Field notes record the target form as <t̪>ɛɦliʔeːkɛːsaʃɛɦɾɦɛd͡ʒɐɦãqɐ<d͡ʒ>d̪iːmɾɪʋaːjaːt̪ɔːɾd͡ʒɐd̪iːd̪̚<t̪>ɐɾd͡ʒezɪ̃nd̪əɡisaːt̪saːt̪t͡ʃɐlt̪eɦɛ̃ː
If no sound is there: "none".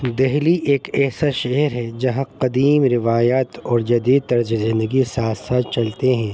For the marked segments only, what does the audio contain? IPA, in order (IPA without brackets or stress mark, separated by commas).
d̪, none, t̪